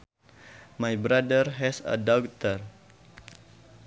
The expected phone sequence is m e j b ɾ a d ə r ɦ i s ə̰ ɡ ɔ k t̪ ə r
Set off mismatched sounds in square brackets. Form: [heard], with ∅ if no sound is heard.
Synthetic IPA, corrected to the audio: m [a] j b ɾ a d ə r ɦ [ɛ] s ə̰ [d] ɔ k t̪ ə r